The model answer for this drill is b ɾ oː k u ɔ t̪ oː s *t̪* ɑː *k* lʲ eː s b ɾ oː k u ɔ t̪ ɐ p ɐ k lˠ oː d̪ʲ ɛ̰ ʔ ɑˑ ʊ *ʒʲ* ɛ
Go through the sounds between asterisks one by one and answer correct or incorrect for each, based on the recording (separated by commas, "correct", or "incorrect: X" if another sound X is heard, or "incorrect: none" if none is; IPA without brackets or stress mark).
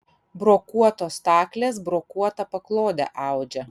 correct, correct, incorrect: d͡ʒʲ